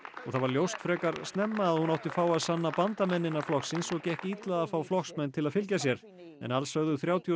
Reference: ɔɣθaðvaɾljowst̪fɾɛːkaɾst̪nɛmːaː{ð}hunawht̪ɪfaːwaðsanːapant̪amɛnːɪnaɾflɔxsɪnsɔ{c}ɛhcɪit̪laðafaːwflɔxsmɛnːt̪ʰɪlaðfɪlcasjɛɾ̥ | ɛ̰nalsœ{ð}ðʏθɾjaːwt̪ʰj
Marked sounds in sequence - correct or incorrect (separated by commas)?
correct, correct, incorrect